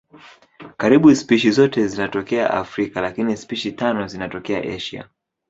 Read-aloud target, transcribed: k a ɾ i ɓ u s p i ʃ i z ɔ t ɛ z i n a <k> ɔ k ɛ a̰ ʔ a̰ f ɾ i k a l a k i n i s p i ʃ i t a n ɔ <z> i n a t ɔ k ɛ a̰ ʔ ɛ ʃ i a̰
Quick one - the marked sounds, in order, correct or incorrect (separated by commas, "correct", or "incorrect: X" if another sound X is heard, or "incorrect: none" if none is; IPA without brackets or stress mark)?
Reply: incorrect: t, correct